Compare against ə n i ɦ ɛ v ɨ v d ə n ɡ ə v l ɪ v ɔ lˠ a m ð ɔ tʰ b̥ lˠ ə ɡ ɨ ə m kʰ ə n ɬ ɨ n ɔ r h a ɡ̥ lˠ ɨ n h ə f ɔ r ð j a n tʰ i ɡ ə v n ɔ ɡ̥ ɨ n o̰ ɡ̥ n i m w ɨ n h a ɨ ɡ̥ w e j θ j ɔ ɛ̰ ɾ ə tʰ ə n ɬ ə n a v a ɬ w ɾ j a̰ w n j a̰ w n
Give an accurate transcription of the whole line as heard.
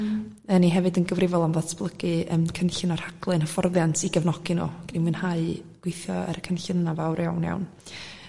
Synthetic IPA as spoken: ə n i ɦ ɛ v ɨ d ə n ɡ ə v r ɪ v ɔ lˠ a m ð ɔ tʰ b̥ lˠ ə ɡ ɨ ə m kʰ ə n ɬ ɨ n ɔ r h a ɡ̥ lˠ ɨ n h ə f ɔ r ð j a n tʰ i ɡ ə v n ɔ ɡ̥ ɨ n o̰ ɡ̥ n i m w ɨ n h a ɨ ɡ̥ w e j θ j ɔ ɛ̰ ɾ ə kʰ ə n ɬ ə n a v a w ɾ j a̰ w n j a̰ w n